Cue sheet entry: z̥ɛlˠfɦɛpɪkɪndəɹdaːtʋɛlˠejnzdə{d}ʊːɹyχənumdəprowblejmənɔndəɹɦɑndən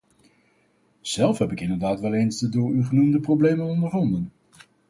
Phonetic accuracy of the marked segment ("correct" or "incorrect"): correct